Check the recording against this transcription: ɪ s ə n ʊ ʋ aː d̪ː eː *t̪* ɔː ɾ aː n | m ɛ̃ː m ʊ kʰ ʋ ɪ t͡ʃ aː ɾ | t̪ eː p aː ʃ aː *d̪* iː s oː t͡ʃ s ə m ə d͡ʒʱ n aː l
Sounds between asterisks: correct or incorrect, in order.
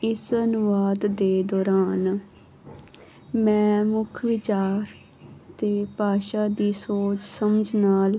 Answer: incorrect, correct

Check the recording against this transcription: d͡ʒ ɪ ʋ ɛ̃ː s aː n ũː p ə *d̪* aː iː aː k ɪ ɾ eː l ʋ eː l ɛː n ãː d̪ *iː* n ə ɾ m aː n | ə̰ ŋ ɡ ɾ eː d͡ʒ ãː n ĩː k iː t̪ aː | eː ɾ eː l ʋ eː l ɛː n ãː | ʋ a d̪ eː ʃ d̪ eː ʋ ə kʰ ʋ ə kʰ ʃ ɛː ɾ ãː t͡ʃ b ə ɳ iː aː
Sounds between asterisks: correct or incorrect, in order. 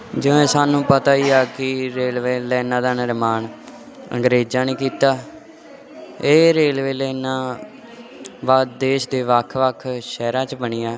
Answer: incorrect, incorrect

